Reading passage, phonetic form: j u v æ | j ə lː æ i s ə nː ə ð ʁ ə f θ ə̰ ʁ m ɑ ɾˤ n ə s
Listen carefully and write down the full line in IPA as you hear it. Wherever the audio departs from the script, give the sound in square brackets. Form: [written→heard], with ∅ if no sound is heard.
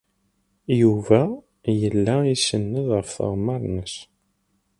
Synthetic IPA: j u v æ | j ə lː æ i s ə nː ə ð ʁ ə f θ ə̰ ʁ m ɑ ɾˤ n ə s

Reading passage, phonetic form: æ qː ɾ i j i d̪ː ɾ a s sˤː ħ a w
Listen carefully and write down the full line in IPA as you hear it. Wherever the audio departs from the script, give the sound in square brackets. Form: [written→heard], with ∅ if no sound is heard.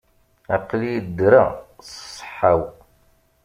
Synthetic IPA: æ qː [ɾ→l] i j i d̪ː ɾ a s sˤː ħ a w

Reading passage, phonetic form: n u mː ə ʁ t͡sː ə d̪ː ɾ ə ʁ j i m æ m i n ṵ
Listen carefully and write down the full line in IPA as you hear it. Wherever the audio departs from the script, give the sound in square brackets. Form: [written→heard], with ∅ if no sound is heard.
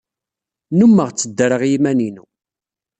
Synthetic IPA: n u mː ə ʁ t͡sː ə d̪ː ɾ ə ʁ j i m æ [m→n] i n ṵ

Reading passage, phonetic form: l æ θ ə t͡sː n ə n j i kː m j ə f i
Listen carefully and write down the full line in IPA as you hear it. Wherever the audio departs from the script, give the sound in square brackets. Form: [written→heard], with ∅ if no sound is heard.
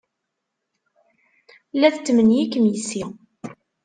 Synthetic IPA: l æ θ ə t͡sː [n→m] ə n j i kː m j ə [f→s] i

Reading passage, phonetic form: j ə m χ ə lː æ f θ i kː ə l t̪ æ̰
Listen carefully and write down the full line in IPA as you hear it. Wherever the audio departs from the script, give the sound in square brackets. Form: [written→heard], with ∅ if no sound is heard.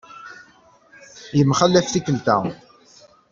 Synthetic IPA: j ə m χ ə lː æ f θ i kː ə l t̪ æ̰

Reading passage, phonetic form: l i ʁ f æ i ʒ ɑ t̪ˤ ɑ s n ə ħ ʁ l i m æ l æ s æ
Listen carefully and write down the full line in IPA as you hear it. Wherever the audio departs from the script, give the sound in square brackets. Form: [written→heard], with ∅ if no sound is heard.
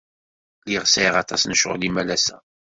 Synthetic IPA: l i ʁ [f→s] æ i [ʒ→ʁ] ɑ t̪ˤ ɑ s n ə [ħ→ʃ] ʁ l i m æ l æ s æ

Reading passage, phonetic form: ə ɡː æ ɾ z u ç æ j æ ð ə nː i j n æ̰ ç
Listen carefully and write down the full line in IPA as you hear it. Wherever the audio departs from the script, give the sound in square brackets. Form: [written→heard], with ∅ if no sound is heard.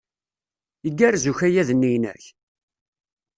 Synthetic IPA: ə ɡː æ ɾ z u ç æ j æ ð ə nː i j n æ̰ ç

